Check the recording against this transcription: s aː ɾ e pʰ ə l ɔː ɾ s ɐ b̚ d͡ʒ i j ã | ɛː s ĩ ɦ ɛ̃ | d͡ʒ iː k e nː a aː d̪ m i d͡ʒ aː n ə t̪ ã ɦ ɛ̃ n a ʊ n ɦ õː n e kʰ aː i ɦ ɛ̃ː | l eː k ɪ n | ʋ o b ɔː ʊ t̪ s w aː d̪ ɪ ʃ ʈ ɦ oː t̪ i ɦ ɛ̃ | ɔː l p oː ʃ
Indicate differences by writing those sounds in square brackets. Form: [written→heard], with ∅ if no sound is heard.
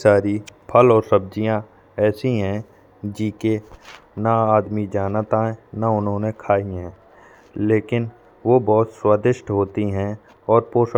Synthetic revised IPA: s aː ɾ [e→i] pʰ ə l ɔː ɾ s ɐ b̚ d͡ʒ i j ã | ɛː s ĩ ɦ ɛ̃ | d͡ʒ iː k e [nː→n] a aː d̪ m i d͡ʒ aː n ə t̪ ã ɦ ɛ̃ n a ʊ n ɦ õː n e kʰ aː i ɦ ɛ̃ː | l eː k ɪ n | ʋ o b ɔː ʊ t̪ s w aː d̪ ɪ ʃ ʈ ɦ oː t̪ i ɦ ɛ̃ | ɔː [l→ɾ] p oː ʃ